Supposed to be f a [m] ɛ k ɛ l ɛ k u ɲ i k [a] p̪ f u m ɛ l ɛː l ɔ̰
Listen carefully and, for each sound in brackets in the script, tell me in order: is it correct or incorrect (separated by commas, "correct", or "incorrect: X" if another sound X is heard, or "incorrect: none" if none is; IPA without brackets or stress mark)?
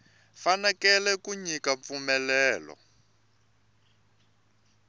incorrect: n, correct